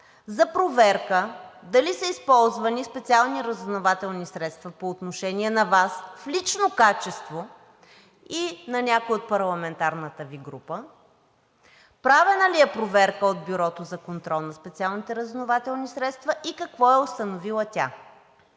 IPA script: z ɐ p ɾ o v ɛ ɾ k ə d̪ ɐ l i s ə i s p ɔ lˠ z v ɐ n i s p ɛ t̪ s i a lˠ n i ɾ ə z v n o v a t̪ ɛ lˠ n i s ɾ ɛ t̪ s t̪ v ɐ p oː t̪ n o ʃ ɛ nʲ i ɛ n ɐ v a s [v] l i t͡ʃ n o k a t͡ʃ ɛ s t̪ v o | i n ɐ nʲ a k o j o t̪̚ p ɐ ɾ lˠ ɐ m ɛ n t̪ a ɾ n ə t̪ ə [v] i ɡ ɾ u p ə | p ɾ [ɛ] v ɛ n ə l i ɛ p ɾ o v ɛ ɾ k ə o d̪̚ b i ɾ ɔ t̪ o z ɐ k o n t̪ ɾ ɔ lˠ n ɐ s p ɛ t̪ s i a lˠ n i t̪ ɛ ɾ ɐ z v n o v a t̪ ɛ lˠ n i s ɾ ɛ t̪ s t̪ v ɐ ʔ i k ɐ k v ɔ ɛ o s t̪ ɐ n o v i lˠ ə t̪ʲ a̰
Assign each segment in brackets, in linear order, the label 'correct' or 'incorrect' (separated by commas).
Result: incorrect, correct, incorrect